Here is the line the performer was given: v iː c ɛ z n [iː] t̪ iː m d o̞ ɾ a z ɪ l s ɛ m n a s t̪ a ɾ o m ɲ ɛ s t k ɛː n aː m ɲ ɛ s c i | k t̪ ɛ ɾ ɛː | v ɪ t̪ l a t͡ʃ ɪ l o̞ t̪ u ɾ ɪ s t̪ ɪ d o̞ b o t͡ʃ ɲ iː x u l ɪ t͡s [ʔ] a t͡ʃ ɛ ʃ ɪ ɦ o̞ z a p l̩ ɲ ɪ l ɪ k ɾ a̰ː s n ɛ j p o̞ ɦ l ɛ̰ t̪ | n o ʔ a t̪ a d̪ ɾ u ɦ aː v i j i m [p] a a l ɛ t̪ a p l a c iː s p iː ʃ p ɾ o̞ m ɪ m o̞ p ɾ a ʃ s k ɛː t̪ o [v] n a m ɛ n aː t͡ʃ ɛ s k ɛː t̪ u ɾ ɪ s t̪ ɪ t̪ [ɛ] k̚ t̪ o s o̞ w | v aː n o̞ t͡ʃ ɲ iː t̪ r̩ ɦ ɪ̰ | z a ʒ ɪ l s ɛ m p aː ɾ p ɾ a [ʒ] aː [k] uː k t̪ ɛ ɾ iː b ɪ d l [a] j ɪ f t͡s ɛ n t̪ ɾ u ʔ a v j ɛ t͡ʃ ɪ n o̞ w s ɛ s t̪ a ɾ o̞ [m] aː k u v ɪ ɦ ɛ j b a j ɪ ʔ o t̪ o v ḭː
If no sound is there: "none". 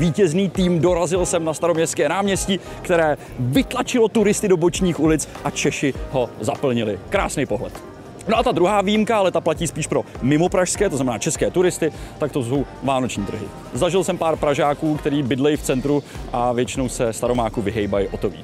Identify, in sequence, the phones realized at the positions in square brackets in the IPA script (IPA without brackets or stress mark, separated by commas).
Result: iː, ʔ, k, z, a, ʒ, k, ɛ, m